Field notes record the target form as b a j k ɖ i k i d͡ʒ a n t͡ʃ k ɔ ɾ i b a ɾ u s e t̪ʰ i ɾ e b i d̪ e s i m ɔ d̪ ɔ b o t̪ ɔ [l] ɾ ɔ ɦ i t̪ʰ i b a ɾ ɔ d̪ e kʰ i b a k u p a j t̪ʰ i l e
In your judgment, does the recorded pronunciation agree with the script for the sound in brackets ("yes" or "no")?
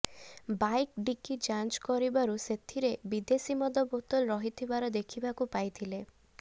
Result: yes